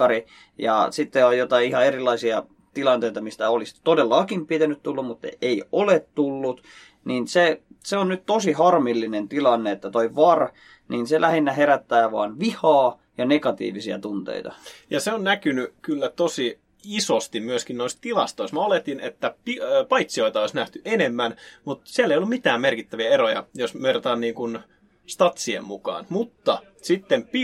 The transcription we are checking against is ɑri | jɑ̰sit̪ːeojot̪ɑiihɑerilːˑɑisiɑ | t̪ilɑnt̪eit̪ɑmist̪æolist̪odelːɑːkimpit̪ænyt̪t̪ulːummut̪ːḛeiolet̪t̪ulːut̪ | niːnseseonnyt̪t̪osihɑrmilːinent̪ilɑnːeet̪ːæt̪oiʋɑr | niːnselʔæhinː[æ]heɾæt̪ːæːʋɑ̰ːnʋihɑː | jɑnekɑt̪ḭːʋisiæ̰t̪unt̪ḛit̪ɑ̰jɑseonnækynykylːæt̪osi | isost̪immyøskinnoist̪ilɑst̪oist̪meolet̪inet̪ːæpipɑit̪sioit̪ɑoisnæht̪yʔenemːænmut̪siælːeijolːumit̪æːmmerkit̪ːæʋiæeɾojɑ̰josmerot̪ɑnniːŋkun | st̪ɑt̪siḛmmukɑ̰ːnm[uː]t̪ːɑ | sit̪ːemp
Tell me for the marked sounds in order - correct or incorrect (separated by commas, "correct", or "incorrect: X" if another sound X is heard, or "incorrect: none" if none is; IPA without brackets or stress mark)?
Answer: correct, incorrect: u